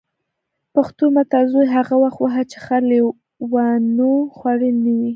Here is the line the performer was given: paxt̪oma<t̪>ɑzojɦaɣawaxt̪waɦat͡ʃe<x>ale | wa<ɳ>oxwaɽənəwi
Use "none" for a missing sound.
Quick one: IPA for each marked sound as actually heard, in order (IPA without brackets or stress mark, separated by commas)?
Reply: t̪, x, n